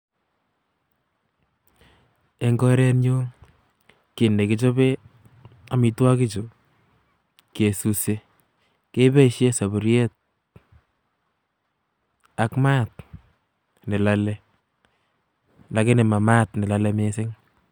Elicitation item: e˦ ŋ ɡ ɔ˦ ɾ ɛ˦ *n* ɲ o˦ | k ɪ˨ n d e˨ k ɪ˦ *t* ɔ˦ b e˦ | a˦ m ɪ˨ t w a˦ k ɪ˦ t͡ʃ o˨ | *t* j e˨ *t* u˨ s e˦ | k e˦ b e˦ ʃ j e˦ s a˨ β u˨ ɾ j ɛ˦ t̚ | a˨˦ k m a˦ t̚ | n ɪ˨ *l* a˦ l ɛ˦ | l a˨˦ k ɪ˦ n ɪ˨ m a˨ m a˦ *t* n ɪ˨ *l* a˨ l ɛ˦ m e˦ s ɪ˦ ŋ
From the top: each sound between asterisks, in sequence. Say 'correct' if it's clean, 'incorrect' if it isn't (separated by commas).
correct, incorrect, incorrect, incorrect, correct, correct, correct